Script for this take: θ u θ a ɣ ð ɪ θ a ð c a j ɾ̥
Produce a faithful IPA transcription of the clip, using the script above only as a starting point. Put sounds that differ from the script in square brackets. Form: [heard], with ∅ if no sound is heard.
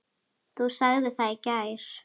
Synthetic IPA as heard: θ u [s] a ɣ ð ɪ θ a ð c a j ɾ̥